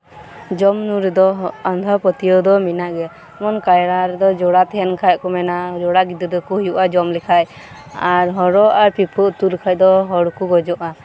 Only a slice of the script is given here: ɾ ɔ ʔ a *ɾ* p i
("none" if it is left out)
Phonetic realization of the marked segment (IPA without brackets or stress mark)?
ɾ